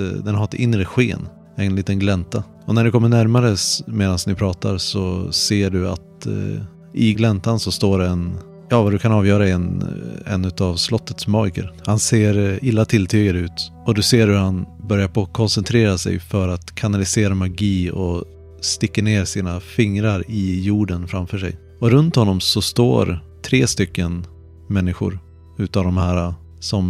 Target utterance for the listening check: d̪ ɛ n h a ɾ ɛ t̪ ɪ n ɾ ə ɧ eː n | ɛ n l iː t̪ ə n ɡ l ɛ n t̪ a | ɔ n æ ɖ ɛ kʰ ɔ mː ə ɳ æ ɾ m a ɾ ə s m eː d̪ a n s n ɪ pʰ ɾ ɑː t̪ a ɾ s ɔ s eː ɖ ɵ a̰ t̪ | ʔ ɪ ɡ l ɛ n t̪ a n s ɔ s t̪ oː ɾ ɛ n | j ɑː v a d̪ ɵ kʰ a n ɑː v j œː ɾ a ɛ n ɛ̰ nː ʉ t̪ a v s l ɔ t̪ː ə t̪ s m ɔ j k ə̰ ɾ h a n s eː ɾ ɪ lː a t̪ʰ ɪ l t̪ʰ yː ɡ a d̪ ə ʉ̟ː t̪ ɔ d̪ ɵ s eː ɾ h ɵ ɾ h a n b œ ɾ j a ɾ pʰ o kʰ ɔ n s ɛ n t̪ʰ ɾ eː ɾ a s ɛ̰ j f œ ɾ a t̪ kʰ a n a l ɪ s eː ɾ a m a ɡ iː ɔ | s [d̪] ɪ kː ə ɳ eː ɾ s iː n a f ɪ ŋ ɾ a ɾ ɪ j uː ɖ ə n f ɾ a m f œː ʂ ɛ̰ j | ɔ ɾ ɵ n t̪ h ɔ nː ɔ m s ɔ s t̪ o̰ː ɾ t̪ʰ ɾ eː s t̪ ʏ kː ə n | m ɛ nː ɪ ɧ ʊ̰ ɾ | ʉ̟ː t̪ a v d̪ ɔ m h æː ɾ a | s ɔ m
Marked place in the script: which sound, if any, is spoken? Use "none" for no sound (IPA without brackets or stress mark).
t̪